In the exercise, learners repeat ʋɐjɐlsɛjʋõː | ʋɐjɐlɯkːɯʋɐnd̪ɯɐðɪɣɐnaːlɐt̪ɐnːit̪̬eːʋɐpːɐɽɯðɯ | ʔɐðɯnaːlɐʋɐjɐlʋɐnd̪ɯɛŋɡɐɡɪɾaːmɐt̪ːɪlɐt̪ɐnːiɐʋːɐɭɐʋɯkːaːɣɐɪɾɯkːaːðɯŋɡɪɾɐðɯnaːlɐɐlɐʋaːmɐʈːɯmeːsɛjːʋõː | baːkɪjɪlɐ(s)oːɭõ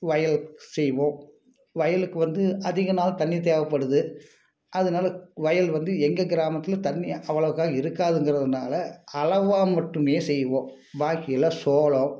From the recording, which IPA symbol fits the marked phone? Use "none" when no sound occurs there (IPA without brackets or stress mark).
s